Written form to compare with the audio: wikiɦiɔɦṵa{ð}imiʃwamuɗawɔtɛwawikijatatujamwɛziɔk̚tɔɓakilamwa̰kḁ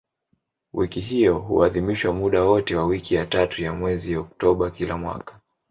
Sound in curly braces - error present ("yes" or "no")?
no